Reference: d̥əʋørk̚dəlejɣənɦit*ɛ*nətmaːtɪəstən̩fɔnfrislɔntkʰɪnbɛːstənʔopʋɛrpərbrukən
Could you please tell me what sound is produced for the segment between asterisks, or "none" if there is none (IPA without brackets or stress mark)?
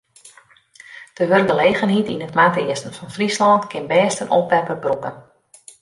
i